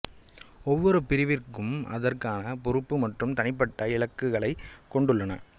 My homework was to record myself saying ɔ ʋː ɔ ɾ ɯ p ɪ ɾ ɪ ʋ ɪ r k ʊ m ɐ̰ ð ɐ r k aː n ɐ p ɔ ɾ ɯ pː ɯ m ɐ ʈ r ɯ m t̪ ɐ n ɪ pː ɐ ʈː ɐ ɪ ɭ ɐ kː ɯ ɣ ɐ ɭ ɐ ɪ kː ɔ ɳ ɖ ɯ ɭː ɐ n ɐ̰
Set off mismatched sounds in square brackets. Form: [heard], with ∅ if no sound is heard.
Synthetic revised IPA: ɔ ʋː ɔ ɾ ɯ p ɪ ɾ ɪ ʋ ɪ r k [ɯ] m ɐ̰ ð ɐ r k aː n ɐ p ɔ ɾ ɯ pː ɯ m ɐ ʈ r ɯ m t̪ ɐ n ɪ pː ɐ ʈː ɐ ɪ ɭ ɐ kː ɯ ɣ ɐ ɭ ɐ ɪ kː ɔ ɳ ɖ ɯ ɭː ɐ n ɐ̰